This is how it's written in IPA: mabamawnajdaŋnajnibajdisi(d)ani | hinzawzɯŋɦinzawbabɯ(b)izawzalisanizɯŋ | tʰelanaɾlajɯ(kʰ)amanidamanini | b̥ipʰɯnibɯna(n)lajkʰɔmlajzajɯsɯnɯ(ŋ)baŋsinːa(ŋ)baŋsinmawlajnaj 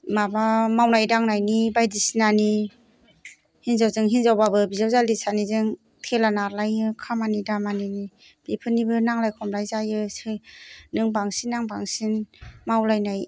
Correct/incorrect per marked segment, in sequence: incorrect, correct, correct, incorrect, correct, correct

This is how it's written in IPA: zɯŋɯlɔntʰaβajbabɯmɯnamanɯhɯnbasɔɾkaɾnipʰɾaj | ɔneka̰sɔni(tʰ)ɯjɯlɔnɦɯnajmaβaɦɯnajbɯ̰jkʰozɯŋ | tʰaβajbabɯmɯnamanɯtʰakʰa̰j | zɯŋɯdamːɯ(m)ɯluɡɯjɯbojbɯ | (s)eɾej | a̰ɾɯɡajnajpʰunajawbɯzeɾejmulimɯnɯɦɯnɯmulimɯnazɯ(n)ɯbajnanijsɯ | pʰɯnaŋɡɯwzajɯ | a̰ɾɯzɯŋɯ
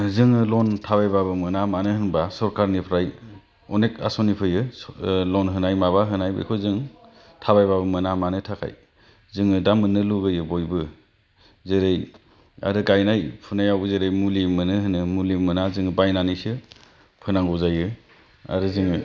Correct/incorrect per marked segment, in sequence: incorrect, incorrect, incorrect, incorrect

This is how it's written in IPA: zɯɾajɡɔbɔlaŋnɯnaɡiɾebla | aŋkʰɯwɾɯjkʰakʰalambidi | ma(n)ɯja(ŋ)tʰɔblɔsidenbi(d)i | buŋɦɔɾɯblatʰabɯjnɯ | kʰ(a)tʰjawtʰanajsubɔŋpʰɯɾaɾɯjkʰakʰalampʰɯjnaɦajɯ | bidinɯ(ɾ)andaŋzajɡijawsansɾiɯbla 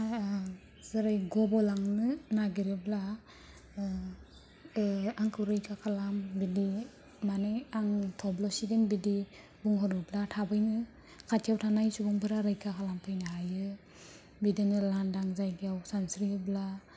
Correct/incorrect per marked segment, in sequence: correct, correct, correct, correct, incorrect

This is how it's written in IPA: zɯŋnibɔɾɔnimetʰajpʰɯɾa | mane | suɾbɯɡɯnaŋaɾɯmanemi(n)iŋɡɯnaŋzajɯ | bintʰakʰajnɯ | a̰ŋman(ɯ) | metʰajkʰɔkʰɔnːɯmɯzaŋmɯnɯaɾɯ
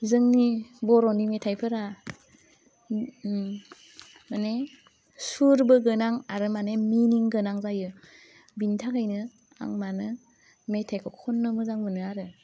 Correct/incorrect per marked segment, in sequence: correct, correct

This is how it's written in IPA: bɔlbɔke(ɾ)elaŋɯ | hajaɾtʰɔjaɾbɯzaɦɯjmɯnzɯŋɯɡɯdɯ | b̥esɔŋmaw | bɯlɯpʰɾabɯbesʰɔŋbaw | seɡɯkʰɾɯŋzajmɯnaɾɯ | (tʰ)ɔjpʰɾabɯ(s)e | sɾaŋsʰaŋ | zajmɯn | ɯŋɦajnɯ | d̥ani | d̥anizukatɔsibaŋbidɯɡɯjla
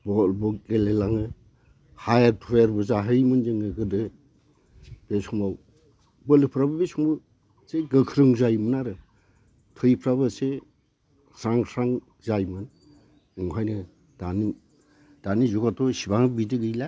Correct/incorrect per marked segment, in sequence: incorrect, correct, correct

